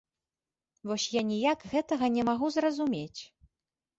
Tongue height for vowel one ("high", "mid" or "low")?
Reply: mid